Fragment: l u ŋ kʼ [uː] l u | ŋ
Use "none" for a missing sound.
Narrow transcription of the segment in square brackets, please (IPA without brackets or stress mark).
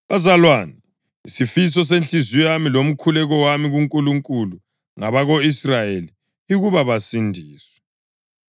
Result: u